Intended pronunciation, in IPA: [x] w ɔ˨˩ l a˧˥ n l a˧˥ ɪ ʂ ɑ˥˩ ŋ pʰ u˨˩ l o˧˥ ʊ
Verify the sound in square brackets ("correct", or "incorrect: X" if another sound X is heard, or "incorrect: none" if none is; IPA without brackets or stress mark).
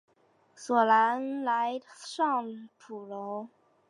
incorrect: s